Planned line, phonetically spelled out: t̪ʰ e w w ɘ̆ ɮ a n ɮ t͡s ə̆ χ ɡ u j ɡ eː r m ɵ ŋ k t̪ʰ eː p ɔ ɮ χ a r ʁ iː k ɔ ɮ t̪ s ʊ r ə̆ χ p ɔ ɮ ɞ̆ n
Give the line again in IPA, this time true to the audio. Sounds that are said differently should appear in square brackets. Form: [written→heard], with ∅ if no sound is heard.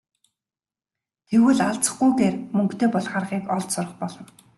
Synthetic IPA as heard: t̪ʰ e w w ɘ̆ ɮ a [n→∅] ɮ t͡s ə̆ χ ɡ u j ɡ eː r m ɵ ŋ k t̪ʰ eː p ɔ ɮ χ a r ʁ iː k ɔ ɮ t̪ s ʊ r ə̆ χ p ɔ ɮ ɞ̆ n